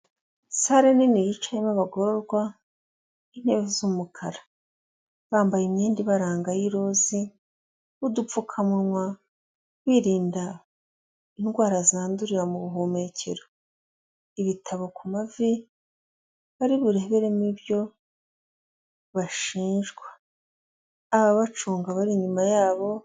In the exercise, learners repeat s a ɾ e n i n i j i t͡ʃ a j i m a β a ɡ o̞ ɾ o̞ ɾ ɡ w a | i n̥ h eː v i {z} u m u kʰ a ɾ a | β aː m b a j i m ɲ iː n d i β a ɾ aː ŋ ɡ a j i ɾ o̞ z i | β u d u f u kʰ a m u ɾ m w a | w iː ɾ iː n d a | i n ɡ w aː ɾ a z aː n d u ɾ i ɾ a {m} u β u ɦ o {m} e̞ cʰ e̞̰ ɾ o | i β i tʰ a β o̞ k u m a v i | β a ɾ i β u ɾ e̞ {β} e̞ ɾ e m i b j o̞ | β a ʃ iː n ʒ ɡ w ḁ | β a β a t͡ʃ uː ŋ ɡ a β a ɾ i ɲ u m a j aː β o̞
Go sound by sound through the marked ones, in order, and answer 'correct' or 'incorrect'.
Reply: correct, correct, correct, correct

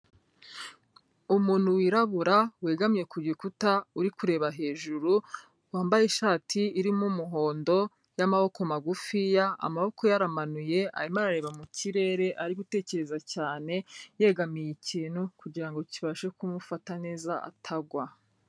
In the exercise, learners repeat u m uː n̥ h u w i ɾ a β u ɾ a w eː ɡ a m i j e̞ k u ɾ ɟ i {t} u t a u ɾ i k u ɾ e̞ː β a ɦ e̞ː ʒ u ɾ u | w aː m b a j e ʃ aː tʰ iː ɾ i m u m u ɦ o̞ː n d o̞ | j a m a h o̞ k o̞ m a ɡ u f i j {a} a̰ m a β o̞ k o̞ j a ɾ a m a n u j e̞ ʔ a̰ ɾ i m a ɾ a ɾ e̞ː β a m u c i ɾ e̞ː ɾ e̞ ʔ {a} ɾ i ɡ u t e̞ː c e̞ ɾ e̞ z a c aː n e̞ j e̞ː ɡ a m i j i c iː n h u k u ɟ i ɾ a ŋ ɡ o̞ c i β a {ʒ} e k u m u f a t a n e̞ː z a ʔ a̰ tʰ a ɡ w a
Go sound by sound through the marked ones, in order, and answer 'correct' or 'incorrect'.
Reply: incorrect: k, correct, correct, incorrect: ʃ

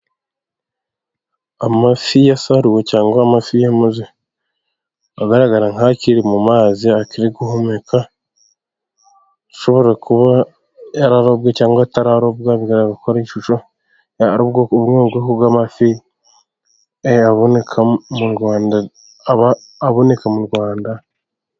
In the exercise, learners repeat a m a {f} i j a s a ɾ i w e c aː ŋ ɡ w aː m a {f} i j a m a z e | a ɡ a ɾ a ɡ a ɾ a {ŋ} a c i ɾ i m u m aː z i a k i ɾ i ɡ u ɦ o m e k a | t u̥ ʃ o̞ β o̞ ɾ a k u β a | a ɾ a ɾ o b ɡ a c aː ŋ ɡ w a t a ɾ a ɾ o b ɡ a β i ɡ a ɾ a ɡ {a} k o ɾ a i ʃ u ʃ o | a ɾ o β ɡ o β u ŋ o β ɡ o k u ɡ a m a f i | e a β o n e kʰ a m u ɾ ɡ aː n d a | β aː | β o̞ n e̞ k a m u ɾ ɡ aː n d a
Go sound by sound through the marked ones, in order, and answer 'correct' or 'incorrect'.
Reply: correct, correct, correct, correct

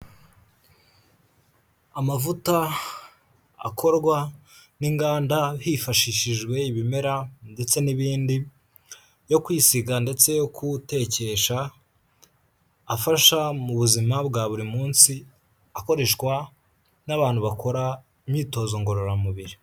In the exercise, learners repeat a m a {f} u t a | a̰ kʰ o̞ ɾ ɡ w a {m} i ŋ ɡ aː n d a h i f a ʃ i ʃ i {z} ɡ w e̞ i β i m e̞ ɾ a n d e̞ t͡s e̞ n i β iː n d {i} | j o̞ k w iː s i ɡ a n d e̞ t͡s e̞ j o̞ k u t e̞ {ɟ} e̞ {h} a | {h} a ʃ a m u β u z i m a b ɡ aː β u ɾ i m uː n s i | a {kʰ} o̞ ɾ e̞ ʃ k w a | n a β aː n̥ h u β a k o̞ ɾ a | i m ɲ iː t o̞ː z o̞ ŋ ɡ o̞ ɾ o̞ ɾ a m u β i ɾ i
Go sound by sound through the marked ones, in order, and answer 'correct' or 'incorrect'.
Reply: incorrect: v, incorrect: n, incorrect: ʒ, correct, incorrect: c, incorrect: ʃ, incorrect: f, incorrect: k

